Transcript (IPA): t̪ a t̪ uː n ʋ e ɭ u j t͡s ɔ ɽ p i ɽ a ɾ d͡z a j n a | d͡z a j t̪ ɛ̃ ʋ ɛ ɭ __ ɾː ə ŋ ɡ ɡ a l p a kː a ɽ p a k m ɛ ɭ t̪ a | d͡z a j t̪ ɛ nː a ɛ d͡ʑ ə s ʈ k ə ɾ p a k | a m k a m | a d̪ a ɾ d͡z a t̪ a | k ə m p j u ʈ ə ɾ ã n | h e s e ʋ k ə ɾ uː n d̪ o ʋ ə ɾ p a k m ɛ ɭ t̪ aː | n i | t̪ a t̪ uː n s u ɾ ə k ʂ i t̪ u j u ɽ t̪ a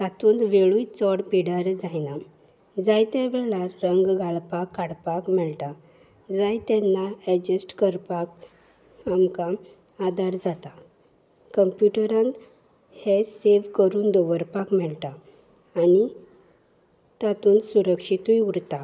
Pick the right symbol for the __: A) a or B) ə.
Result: A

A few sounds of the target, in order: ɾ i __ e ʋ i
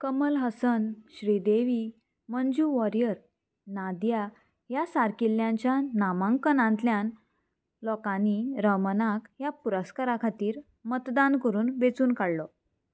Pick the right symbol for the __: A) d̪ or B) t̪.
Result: A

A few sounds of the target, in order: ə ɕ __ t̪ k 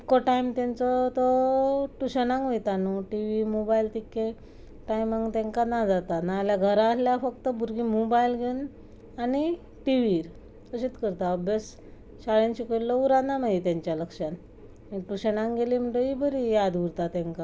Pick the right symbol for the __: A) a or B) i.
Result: B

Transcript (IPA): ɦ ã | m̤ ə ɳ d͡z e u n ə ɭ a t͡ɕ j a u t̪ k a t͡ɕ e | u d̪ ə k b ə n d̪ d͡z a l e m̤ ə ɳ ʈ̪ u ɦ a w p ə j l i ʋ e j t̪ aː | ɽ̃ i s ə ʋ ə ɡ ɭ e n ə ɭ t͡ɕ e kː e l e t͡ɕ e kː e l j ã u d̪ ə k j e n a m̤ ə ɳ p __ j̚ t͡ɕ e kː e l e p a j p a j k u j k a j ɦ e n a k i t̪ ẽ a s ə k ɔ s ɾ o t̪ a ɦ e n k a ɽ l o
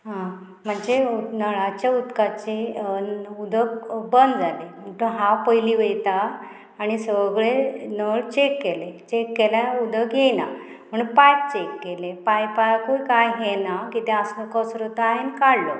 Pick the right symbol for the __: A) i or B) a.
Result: B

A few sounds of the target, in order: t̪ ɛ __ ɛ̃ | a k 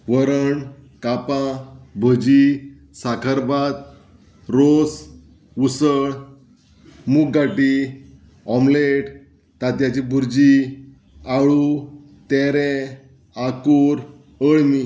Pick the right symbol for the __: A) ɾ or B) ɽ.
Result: A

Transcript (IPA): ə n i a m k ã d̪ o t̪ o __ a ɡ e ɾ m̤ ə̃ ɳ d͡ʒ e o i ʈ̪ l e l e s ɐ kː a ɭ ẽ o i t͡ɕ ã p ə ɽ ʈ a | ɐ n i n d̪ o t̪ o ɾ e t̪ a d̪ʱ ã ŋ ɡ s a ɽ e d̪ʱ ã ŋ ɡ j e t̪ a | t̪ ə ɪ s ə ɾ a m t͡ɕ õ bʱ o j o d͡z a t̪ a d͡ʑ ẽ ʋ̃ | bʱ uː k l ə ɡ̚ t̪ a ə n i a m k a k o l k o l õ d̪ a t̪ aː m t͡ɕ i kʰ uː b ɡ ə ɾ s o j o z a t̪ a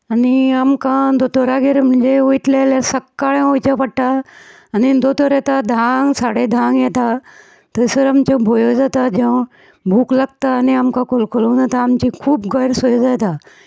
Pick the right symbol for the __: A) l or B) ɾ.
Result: B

